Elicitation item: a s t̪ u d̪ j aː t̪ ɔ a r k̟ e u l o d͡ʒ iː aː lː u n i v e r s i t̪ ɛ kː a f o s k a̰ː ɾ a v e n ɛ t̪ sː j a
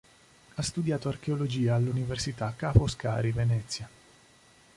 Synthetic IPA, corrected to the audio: a s t̪ u d̪ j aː t̪ o a r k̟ e o l o d͡ʒ iː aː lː u n i v e r s i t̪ a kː a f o s k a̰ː ɾ i v e n ɛ t̪ sː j a